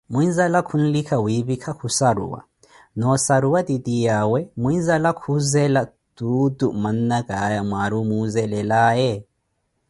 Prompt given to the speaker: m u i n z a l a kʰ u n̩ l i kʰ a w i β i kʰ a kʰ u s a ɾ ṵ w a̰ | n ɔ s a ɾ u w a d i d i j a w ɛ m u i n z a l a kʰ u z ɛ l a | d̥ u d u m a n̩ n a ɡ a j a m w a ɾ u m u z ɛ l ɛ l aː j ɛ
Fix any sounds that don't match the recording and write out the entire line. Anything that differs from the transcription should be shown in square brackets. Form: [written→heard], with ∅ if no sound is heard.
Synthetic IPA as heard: m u i n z a l a kʰ u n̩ l i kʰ a w i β i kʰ a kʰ u s a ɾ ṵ w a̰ | n ɔ s a ɾ u w a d i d i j a w ɛ m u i n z a l a kʰ u z ɛ l a | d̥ u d u m a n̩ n a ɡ a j a m w a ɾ u m u z ɛ l ɛ l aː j ɛ